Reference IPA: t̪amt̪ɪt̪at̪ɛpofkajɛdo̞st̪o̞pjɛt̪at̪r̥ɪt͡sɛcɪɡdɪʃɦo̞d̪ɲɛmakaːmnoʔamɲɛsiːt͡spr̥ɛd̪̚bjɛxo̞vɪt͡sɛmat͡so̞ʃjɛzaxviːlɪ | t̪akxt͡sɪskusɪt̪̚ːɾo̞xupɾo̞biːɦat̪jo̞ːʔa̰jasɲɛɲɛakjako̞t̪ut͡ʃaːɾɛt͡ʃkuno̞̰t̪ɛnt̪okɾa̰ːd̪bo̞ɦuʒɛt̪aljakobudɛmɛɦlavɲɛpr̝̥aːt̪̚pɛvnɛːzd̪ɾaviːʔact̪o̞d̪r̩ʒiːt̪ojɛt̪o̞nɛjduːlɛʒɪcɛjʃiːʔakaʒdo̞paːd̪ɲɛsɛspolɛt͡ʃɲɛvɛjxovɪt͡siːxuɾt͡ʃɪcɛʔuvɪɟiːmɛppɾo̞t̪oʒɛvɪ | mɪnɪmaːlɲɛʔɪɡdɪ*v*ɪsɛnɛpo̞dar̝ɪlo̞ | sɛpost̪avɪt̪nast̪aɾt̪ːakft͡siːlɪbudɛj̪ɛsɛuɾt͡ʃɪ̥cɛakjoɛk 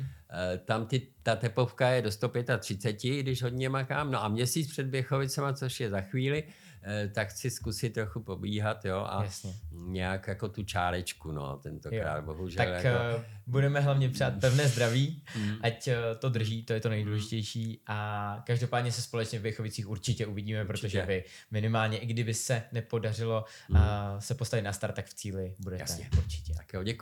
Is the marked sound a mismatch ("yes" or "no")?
yes